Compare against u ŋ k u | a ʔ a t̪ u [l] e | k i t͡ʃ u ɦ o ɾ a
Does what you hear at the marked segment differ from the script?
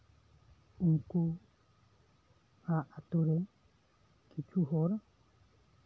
yes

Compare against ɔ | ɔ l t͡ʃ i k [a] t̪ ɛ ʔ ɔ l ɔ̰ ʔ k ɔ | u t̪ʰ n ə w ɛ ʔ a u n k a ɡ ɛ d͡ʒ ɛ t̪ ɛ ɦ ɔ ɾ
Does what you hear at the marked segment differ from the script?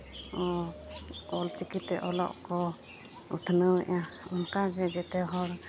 yes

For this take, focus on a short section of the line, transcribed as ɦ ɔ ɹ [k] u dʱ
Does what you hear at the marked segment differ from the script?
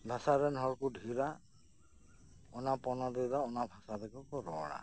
no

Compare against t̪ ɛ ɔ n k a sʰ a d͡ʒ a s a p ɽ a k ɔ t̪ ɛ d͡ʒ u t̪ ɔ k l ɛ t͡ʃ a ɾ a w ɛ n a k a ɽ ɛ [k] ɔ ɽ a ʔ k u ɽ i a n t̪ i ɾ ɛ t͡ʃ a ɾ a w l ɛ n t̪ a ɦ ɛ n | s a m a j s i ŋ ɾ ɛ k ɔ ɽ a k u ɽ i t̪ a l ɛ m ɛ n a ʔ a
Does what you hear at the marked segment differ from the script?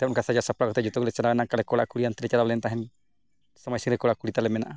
no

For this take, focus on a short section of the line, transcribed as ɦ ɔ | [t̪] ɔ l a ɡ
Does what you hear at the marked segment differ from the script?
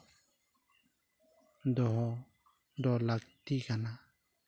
yes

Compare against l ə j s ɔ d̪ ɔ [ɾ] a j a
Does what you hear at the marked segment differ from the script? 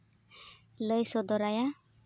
no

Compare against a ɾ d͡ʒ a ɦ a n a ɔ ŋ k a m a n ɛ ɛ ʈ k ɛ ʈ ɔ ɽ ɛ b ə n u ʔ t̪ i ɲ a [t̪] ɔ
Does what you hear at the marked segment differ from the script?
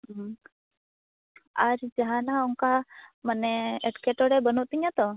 no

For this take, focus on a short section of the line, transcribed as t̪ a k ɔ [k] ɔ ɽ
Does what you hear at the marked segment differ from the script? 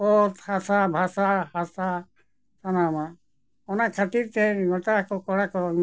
no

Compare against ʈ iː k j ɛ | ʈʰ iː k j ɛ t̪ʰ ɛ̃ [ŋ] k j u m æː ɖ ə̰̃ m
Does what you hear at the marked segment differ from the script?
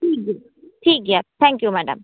no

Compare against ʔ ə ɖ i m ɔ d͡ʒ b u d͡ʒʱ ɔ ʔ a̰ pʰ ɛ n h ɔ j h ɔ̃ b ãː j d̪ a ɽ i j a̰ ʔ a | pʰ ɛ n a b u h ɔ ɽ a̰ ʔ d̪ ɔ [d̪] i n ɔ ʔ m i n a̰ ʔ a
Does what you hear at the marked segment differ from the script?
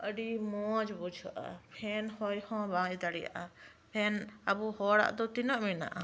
yes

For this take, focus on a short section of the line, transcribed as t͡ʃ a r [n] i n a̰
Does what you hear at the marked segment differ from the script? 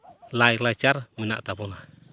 yes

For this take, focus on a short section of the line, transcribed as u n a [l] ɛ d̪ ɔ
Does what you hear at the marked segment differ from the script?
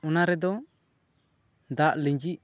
yes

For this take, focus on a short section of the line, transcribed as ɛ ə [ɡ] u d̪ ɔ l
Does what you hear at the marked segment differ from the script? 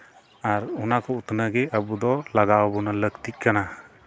yes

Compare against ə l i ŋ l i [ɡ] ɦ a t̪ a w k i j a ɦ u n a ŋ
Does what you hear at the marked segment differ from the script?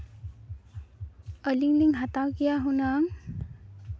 yes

